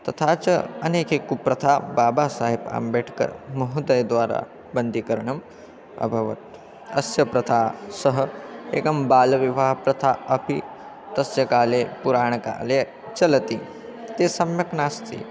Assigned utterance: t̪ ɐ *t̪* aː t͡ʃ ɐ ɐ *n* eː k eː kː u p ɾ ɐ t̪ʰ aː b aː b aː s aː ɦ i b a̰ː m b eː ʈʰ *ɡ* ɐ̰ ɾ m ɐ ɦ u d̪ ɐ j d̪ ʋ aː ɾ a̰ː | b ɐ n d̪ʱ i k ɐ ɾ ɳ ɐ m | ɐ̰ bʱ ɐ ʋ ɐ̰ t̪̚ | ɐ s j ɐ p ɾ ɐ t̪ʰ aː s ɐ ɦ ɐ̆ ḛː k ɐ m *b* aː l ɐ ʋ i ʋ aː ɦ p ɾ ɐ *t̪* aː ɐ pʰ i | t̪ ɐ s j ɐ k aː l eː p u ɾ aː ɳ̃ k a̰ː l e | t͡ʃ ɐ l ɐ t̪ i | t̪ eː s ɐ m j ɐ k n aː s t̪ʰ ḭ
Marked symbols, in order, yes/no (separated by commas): no, yes, no, yes, no